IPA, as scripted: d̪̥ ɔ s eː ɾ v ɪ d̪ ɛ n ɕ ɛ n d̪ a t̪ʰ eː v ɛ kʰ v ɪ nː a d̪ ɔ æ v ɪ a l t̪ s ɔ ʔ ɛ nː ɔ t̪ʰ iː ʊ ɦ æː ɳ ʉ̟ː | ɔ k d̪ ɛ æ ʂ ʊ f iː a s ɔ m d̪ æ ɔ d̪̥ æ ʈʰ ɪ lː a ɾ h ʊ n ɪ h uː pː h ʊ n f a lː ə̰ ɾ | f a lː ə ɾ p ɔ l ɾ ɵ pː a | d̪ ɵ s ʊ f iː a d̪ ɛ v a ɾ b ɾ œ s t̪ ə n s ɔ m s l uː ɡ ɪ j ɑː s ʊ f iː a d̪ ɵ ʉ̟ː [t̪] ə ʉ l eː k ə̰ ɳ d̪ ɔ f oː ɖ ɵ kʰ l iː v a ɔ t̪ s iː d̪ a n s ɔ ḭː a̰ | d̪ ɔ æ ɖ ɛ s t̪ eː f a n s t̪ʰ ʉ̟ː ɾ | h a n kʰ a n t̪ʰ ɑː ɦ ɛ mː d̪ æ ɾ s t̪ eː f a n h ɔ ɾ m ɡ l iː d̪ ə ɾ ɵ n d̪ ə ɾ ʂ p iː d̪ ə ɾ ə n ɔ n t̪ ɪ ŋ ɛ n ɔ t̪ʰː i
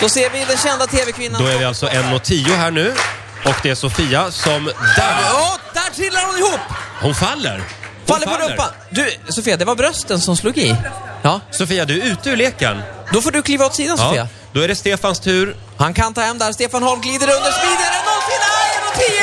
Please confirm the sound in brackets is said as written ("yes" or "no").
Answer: yes